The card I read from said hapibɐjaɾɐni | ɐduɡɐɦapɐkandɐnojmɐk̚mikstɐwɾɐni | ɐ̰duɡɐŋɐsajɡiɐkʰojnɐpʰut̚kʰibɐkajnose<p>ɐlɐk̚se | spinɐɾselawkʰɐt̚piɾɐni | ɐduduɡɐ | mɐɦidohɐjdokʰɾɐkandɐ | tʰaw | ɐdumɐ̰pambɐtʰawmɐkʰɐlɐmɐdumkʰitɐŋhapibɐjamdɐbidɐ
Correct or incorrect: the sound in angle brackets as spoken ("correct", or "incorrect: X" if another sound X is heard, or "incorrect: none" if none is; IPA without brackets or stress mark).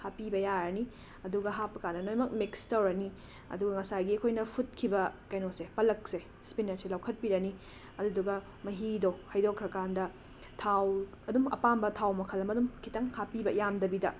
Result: correct